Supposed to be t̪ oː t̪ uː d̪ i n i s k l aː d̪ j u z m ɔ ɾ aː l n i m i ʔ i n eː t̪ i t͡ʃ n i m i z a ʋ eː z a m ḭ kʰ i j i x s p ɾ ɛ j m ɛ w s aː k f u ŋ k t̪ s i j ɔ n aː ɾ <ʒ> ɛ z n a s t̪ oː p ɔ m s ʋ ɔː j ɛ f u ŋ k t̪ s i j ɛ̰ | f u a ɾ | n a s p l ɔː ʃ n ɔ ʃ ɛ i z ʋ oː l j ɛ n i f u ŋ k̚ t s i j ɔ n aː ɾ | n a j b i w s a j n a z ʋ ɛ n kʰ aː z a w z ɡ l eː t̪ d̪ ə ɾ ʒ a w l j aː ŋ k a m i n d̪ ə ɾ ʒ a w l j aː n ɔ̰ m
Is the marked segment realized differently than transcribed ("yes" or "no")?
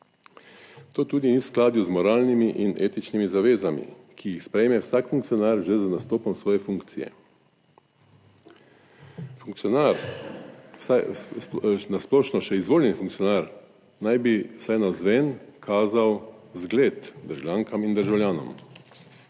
no